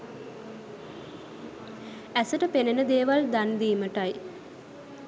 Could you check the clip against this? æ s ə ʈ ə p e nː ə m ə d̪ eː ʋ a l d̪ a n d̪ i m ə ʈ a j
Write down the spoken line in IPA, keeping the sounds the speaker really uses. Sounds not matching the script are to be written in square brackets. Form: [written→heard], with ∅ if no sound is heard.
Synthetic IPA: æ s ə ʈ ə p e [nː→n] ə [m→n] ə d̪ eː ʋ a l d̪ a n d̪ [i→iː] m ə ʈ a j